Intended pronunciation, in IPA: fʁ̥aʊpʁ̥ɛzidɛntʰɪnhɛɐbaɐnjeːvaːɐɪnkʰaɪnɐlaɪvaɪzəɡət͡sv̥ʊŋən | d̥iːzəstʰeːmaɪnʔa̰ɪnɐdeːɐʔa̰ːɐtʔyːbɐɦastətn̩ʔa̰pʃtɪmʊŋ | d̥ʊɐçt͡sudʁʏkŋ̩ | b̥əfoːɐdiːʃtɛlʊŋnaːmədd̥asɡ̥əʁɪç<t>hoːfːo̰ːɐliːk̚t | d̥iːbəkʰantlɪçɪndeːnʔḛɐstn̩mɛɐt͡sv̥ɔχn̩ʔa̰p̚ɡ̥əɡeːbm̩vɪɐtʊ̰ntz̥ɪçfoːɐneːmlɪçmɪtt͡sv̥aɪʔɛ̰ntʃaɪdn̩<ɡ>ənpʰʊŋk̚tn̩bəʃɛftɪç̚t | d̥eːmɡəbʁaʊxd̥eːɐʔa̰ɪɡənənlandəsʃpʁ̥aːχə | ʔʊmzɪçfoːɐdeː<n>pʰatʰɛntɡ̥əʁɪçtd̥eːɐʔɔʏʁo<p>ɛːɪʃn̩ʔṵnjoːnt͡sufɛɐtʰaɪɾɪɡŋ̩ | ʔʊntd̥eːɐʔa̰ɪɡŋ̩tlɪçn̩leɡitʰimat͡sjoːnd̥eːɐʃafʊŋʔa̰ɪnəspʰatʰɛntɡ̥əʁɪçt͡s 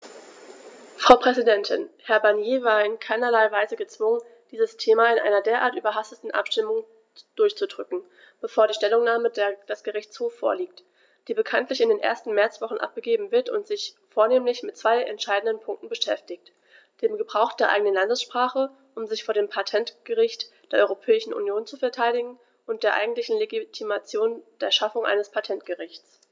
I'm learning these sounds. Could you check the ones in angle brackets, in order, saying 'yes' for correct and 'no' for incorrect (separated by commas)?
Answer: no, no, no, no